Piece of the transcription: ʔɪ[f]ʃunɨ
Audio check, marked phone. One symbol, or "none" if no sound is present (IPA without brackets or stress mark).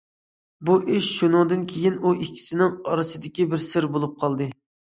ʃ